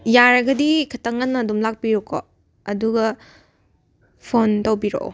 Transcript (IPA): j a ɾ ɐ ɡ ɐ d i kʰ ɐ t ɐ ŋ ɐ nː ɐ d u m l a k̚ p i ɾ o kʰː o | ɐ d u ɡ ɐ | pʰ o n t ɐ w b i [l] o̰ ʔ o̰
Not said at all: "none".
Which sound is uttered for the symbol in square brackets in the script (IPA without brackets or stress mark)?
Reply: ɾ